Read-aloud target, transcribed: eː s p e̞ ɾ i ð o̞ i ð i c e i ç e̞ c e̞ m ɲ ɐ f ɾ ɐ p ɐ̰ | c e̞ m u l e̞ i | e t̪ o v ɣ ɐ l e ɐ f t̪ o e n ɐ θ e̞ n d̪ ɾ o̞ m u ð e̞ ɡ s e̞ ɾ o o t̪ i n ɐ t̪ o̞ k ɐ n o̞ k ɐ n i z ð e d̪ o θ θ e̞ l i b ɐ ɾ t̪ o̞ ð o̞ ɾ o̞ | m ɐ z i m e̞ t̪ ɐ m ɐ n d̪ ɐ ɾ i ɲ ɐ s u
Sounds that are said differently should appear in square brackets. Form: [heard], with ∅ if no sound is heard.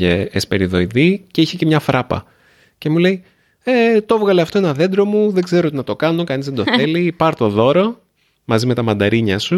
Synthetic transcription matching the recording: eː s p e̞ ɾ i ð o̞ i ð i c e i ç e̞ c e̞ m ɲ ɐ f ɾ ɐ p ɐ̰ | c e̞ m u l e̞ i | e t̪ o v ɣ ɐ l e ɐ f t̪ o e n ɐ [ð] e̞ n d̪ ɾ o̞ m u ð e̞ ɡ [z] e̞ ɾ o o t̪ i n ɐ t̪ o̞ k ɐ n o̞ k ɐ n i z ð e d̪ o θ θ e̞ l i [p] ɐ ɾ t̪ o̞ ð o̞ ɾ o̞ | m ɐ z i m e̞ t̪ ɐ m ɐ n d̪ ɐ ɾ i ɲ ɐ s u